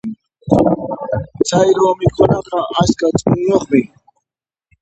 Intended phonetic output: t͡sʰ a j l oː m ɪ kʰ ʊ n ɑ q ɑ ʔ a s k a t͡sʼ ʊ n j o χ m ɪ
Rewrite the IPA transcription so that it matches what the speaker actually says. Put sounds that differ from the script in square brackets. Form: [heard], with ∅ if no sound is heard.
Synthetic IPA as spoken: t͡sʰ a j [ɾ] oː m ɪ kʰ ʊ n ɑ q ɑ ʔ a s k a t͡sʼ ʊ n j o χ m ɪ